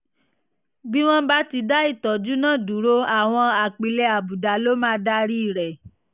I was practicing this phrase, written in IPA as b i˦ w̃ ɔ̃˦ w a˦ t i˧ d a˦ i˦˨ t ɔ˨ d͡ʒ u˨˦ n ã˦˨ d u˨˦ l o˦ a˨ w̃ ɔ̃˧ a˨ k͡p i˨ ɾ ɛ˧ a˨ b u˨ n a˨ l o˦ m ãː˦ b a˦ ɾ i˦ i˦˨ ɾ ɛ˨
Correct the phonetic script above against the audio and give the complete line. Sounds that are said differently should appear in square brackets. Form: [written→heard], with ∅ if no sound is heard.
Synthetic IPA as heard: b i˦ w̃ ɔ̃˦ [w→b] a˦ t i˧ d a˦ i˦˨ t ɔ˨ d͡ʒ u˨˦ n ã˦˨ d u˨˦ [l→ɾ] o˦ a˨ w̃ ɔ̃˧ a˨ k͡p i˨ [ɾ→l] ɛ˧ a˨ b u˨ [n→d] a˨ l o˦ m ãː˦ [b→d] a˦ ɾ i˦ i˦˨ ɾ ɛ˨